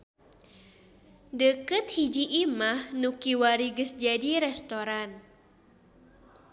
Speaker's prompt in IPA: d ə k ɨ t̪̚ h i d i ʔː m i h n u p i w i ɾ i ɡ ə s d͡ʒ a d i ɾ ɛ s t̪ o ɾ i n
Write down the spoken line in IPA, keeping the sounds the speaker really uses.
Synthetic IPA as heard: d ə k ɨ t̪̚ h i d͡ʒ i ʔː m a h n u k i w a ɾ i ɡ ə s d͡ʒ a d i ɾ ɛ s t̪ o ɾ a n

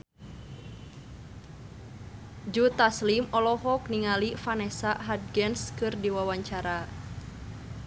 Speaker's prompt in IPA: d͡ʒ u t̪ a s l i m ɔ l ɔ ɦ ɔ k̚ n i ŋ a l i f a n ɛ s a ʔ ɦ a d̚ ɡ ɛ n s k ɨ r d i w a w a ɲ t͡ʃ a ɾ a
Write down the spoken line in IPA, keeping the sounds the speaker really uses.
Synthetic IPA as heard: d͡ʒ u t̪ a s l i m ɔ l ɔ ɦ ɔ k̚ n i ŋ a l i f a n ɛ s a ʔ ɦ a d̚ ɡ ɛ n s k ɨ r d i w a w a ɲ t͡ʃ a ɾ a

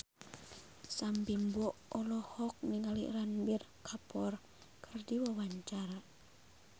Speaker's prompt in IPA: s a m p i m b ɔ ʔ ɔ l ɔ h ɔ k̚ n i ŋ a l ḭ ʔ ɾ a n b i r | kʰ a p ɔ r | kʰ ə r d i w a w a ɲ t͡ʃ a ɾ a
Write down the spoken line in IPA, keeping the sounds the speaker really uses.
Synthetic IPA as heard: s a m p i m b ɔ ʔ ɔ l ɔ h ɔ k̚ n i ŋ a l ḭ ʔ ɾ a n b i r | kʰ a p ɔ r | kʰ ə r d i w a w a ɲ t͡ʃ a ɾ a

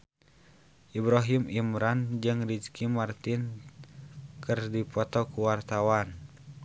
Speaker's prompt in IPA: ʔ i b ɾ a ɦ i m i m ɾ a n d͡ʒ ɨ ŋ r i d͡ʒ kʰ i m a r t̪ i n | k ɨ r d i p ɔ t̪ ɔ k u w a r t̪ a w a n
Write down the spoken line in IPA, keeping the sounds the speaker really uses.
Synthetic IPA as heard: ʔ i b ɾ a ɦ i m i m ɾ a n d͡ʒ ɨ ŋ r i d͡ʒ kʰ i m a r t̪ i n | k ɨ r d i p ɔ t̪ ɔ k u w a r t̪ a w a n

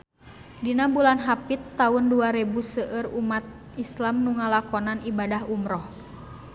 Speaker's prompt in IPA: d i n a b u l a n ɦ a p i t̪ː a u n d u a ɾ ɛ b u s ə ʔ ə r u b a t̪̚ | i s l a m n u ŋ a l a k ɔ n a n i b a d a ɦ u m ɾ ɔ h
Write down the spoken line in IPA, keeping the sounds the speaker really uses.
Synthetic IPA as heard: d i n a b u l a n ɦ a p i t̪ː a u n d u a ɾ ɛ b u s ə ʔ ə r u m a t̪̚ | i s l a m n u ŋ a l a k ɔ n a n i b a d a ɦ u m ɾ ɔ h

